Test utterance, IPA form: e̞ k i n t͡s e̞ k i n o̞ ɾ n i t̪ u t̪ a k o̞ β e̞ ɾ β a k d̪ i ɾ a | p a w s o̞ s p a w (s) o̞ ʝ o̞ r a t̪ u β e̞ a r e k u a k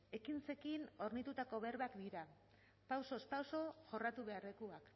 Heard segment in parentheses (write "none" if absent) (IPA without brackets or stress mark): s